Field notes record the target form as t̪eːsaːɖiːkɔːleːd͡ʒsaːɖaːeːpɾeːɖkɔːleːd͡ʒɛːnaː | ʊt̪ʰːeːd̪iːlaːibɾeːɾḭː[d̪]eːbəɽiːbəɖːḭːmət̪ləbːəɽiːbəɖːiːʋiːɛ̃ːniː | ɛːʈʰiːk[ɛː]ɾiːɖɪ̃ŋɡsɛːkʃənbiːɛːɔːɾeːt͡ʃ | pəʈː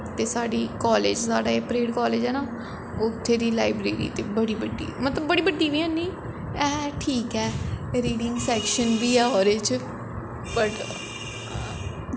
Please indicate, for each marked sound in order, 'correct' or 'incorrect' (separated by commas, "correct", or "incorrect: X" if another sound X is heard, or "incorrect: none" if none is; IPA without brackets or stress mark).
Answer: incorrect: t̪, correct